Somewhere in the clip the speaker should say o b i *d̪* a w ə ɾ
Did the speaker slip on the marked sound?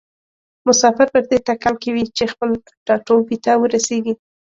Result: yes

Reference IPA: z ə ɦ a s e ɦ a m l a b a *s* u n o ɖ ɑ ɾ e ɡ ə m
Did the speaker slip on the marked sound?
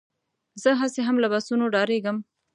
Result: no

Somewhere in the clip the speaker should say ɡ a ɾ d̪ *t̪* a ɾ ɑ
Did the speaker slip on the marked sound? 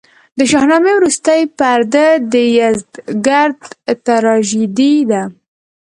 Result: no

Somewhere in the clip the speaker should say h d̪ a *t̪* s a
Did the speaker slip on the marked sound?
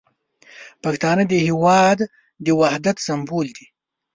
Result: no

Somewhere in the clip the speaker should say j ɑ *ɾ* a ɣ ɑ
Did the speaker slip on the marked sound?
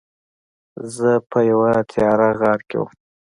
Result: no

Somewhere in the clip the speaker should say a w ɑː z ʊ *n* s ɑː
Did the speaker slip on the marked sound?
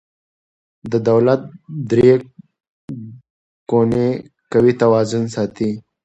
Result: no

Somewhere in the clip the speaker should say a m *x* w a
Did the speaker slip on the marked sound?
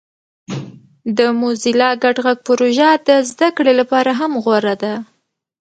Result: yes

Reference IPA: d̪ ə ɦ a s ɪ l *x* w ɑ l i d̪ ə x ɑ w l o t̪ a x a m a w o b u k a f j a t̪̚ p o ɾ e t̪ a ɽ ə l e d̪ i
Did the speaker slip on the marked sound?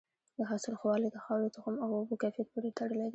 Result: no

